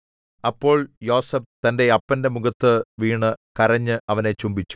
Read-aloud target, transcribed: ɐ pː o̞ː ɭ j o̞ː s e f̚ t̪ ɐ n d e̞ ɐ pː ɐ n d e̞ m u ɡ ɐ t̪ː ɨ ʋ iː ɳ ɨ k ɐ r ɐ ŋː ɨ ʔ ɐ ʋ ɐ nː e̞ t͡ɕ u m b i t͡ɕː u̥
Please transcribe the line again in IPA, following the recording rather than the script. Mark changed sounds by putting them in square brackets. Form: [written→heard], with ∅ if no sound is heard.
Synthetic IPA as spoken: ɐ pː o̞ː ɭ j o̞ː s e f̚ t̪ ɐ n d e̞ ɐ pː ɐ n d e̞ m u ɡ ɐ t̪ː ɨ ʋ iː ɳ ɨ k ɐ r ɐ [ŋː→ɲː] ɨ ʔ ɐ ʋ ɐ [nː→n] e̞ t͡ɕ u m b i t͡ɕː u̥